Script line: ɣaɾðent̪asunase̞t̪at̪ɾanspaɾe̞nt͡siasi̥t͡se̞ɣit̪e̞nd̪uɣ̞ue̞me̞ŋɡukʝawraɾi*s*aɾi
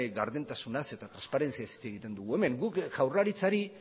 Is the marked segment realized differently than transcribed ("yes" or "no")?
yes